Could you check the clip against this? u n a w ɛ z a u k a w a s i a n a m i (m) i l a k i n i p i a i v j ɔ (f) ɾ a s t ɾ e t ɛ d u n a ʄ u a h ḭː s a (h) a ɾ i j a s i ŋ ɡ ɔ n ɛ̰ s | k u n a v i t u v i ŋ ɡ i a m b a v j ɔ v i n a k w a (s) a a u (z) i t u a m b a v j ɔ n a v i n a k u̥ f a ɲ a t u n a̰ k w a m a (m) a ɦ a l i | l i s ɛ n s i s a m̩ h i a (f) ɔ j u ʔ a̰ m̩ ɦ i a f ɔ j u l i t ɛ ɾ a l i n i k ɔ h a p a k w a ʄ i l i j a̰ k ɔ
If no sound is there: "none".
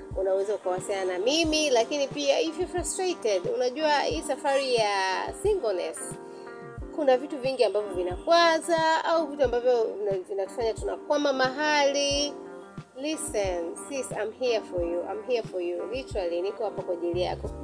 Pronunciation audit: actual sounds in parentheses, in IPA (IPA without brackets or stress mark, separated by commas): m, f, f, z, v, m, f